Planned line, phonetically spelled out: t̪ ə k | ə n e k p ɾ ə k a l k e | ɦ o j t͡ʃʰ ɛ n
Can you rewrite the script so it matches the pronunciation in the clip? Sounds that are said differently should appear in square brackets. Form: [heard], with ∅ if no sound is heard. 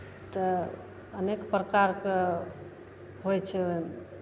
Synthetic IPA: t̪ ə [∅] | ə n e k p ɾ ə k a [ɾ] k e | ɦ o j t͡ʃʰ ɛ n

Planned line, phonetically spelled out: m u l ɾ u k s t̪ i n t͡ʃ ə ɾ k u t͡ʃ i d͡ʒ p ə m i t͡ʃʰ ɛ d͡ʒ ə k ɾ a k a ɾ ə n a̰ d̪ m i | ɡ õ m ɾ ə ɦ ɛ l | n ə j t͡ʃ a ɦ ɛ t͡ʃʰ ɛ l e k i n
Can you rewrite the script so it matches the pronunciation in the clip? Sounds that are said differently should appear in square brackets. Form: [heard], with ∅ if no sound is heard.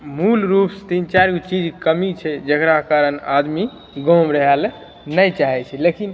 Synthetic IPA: m u l ɾ u [p] s t̪ i n t͡ʃ [a] ɾ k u t͡ʃ i d͡ʒ [k] ə m i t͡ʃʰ ɛ d͡ʒ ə k ɾ a k a ɾ ə n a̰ d̪ m i | ɡ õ m ɾ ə ɦ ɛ l | n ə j t͡ʃ a ɦ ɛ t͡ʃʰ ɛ l e k i n

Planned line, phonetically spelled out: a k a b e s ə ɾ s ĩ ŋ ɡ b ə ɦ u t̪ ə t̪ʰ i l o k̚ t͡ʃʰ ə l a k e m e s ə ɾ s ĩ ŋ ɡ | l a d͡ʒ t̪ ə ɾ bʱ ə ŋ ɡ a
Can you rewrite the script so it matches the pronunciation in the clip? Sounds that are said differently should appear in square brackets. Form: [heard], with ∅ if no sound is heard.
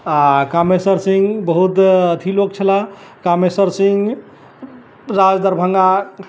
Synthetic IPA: a k a [m] e s ə ɾ s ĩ ŋ ɡ b ə ɦ u t̪ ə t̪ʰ i l o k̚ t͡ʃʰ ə l a k [a] m e s ə ɾ s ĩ ŋ ɡ | [ɾ] a d͡ʒ [d̪] ə ɾ bʱ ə ŋ ɡ a

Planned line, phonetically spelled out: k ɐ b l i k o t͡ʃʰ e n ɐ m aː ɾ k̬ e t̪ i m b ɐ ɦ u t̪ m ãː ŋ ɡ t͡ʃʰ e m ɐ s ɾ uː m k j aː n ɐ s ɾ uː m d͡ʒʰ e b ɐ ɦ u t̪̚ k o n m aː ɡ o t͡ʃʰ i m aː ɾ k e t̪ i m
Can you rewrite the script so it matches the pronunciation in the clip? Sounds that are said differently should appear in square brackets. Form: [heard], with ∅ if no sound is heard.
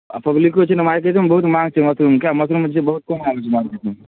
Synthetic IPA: [p] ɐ b l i k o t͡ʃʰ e n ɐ m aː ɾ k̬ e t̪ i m b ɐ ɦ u t̪ m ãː ŋ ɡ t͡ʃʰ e m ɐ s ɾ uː m k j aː [m] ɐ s ɾ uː m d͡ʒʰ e b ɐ ɦ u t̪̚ k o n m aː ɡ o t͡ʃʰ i m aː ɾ k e t̪ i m

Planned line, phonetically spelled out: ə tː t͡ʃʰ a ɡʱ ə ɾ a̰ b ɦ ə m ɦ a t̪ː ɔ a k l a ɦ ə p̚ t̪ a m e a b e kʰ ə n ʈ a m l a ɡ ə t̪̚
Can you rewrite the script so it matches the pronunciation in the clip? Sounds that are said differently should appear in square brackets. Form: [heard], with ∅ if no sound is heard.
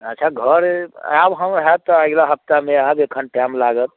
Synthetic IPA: ə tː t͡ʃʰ a ɡʱ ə ɾ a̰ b ɦ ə m ɦ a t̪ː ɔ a [ɡ] l a ɦ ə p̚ t̪ a m e a b e kʰ ə n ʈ a m l a ɡ ə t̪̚

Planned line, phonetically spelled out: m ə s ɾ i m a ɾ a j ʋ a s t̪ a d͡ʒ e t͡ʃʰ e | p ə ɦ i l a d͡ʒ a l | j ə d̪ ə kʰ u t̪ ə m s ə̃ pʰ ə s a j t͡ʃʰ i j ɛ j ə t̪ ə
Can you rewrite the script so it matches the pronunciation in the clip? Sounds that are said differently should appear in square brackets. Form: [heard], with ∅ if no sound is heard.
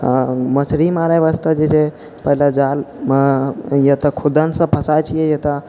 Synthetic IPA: m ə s ɾ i m a ɾ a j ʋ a s t̪ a d͡ʒ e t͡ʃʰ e | p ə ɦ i l a d͡ʒ a l | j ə [t̪] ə kʰ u [d̪] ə [n] s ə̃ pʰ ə s a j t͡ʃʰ i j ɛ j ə t̪ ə

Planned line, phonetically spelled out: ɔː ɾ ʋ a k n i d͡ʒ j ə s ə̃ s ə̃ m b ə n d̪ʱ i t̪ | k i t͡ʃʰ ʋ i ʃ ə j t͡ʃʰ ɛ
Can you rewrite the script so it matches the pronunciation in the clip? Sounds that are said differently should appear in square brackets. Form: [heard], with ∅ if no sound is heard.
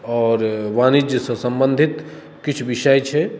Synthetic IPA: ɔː ɾ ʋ a [∅] n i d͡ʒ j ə s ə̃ s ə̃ m b ə n d̪ʱ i t̪ | k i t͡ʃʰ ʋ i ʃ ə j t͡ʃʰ ɛ

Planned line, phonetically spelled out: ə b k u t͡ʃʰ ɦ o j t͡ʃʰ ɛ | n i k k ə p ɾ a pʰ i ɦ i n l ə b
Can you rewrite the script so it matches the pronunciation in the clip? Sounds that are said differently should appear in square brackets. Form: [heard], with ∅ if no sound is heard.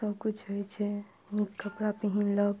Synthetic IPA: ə b k u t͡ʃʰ ɦ o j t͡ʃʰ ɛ | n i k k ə p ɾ a [p] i ɦ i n l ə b

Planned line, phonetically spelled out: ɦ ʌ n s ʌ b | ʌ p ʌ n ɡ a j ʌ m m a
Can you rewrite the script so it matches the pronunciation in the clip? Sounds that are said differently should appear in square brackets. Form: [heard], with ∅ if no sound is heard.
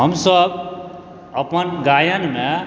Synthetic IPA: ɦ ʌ [m] s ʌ b | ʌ p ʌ n ɡ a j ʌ [n] m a

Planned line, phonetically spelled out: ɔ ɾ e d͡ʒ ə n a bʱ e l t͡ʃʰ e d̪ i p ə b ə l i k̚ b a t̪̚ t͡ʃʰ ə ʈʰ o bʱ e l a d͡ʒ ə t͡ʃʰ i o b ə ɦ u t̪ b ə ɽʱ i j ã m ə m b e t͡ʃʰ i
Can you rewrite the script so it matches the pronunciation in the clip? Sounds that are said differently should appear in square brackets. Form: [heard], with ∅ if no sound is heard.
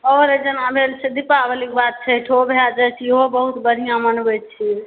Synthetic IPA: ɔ ɾ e d͡ʒ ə n a bʱ e l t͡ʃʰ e d̪ i p [a] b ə l i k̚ b a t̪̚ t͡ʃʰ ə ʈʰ o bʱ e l a d͡ʒ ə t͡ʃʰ i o b ə ɦ u t̪ b ə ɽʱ i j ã m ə [n] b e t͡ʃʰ i

